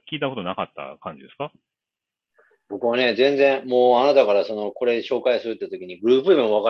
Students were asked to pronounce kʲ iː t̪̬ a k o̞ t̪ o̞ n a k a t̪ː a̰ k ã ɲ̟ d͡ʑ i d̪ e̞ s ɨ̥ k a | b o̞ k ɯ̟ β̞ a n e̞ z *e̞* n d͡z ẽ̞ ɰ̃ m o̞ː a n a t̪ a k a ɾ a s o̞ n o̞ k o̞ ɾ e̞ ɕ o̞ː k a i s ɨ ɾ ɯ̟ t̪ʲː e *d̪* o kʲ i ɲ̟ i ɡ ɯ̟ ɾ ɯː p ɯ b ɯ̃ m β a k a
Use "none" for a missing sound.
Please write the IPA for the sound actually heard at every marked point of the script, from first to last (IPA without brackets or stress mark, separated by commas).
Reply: ẽ̞, t̪